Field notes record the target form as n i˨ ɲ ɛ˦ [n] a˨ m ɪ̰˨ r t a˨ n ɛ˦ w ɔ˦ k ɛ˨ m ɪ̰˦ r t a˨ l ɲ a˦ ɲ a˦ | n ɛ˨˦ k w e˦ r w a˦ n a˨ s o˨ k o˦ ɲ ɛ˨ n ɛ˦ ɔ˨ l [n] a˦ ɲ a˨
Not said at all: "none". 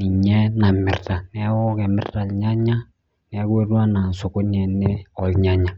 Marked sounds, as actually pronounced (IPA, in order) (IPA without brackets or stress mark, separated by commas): n, ɲ